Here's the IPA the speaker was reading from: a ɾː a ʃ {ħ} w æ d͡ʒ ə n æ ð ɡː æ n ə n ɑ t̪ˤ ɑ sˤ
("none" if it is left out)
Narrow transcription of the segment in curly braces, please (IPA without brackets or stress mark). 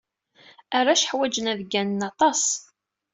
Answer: ħ